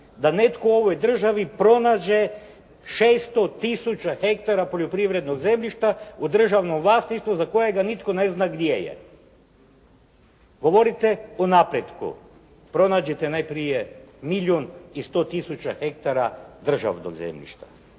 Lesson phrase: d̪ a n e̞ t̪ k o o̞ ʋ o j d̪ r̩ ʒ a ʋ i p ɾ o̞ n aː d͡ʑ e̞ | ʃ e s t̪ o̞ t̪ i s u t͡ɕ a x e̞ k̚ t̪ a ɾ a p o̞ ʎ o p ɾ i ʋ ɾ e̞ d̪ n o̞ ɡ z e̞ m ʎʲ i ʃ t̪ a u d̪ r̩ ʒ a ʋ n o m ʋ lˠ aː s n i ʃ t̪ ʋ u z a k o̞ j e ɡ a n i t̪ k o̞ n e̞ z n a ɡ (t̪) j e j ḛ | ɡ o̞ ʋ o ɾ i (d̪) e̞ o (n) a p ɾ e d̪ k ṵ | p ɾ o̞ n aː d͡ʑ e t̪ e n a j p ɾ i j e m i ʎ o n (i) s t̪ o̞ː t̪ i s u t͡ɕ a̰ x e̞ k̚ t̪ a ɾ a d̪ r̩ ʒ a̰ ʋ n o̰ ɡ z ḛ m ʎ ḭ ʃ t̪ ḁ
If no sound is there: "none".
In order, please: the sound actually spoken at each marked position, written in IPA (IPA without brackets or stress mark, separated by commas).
d̪, t̪, n, i